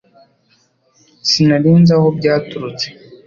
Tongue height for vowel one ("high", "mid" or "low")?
high